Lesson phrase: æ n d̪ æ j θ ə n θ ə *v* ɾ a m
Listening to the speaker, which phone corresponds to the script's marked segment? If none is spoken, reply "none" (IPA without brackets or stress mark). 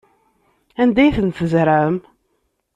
z